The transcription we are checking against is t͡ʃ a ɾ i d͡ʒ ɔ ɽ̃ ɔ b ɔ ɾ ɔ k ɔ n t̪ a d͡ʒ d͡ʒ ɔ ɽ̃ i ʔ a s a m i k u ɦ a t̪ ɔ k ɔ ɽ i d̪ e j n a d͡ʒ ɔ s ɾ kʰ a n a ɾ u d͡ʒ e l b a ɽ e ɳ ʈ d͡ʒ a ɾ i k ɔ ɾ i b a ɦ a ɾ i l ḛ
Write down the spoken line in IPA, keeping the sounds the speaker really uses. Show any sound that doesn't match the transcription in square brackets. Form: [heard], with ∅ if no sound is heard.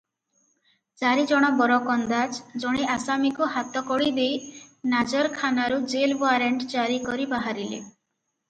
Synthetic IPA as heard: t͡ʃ a ɾ i d͡ʒ ɔ ɽ̃ ɔ b ɔ ɾ ɔ k ɔ n [d̪] a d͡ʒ d͡ʒ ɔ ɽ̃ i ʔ a s a m i k u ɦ a t̪ ɔ k ɔ ɽ i d̪ e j n a d͡ʒ ɔ [∅] ɾ kʰ a n a ɾ u d͡ʒ e l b a [ɾ] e ɳ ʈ d͡ʒ a ɾ i k ɔ ɾ i b a ɦ a ɾ i l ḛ